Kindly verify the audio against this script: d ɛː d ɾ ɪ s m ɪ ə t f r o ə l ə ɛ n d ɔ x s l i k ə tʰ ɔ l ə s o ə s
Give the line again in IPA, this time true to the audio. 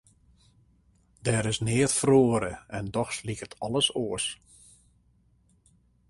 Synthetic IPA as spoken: d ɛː ɾ ɪ s n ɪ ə t f r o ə ɾ ə ɛ n d ɔ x s l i k ə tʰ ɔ l ə s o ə s